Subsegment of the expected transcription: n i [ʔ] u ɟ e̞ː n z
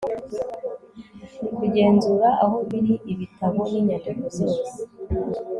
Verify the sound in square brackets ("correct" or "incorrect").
incorrect